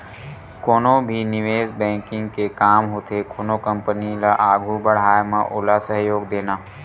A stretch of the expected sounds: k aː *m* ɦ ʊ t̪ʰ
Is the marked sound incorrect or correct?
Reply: correct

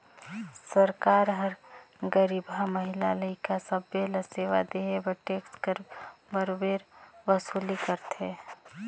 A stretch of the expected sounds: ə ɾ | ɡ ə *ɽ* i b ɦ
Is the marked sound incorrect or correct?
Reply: incorrect: ɾ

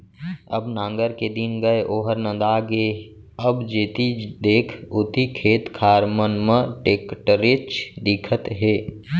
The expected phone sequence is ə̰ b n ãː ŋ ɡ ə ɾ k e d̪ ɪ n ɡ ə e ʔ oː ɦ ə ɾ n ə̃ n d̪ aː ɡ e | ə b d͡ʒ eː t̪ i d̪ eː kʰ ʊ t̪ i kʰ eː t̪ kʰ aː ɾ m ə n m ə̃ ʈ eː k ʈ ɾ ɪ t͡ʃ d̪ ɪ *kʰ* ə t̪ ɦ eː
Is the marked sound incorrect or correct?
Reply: correct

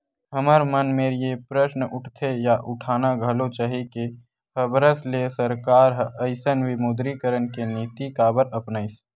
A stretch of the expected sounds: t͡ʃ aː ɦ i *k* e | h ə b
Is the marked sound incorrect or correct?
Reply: correct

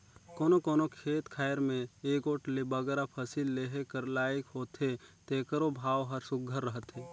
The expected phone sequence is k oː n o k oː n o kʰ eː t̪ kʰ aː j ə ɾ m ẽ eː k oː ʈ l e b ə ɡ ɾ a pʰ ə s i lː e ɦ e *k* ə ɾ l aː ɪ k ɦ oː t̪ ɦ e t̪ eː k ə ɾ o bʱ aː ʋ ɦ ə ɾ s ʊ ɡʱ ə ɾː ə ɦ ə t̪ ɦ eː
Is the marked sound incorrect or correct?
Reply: correct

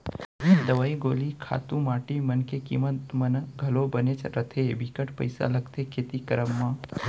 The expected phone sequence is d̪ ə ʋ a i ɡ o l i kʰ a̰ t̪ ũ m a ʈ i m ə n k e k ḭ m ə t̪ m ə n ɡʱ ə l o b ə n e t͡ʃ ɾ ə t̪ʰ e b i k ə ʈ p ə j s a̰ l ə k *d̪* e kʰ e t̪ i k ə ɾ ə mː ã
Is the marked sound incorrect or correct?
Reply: incorrect: t̪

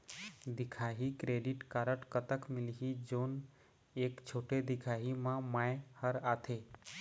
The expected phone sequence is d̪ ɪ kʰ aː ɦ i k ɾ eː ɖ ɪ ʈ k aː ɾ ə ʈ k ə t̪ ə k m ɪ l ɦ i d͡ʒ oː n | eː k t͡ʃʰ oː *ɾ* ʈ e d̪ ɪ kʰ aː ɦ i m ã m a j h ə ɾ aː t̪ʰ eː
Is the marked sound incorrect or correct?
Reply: incorrect: none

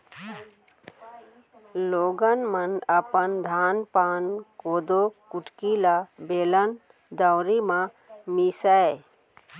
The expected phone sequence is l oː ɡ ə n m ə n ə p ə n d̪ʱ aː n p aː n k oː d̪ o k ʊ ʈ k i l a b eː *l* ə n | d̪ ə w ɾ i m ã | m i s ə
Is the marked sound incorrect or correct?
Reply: correct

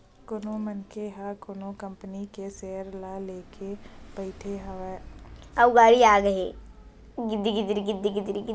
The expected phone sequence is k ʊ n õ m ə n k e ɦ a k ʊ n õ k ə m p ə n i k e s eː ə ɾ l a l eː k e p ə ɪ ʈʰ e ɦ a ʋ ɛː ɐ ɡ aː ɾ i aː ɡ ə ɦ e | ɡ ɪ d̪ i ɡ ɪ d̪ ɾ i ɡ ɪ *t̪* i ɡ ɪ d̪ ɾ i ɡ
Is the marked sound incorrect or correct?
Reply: incorrect: d̪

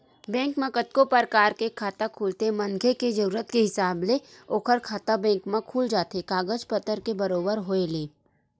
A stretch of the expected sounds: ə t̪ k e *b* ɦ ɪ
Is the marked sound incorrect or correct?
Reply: incorrect: none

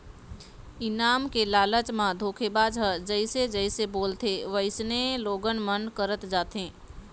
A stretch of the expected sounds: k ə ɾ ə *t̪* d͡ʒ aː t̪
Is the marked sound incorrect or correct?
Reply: correct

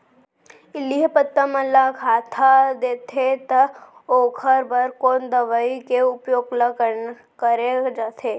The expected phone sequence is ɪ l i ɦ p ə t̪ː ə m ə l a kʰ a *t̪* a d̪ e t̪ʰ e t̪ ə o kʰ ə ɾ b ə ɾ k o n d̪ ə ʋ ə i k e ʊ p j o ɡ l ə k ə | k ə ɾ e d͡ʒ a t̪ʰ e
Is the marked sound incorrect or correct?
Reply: incorrect: t̪ʰ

